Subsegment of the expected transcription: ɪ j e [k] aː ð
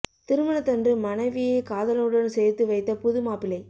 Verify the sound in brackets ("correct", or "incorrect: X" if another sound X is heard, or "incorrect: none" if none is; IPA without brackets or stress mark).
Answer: correct